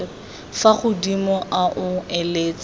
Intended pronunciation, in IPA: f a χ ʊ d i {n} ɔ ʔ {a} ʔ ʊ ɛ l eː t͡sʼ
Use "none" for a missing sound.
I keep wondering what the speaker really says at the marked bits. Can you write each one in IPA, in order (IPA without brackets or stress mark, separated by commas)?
m, a